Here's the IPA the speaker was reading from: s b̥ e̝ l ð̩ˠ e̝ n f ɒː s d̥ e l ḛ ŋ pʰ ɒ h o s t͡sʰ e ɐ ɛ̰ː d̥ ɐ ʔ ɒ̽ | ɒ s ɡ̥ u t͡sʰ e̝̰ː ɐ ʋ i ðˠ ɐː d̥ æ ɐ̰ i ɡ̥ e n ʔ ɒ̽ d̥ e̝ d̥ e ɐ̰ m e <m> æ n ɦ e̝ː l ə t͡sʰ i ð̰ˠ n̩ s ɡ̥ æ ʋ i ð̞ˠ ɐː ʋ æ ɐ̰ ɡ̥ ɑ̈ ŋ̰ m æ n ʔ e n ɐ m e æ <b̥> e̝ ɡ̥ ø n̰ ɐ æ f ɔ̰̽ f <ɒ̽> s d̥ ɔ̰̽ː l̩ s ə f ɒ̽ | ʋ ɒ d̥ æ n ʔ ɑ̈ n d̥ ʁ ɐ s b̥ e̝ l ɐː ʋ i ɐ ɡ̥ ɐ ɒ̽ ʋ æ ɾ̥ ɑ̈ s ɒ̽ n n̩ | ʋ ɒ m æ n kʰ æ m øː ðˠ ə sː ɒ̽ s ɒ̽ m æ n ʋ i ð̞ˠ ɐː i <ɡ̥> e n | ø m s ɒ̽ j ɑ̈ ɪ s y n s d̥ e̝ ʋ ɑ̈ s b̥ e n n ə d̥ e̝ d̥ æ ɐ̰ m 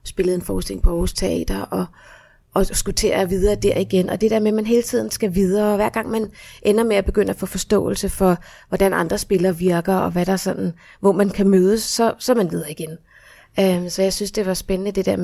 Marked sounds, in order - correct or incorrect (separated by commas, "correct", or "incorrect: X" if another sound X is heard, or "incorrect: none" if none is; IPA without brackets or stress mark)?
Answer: correct, correct, correct, correct